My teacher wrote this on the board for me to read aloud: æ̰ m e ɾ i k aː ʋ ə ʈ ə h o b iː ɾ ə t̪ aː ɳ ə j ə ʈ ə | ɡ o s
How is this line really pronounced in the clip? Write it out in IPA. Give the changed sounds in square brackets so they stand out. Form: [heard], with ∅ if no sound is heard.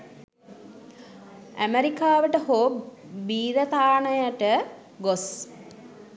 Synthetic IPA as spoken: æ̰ m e ɾ i k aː ʋ ə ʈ ə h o b iː ɾ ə t̪ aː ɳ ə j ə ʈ ə | ɡ o s